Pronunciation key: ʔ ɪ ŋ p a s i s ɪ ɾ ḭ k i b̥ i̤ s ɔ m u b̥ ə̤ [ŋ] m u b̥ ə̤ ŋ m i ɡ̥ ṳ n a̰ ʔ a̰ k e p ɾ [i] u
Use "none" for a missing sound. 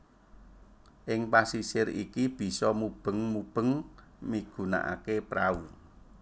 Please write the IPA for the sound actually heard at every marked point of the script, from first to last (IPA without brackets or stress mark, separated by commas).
ŋ, a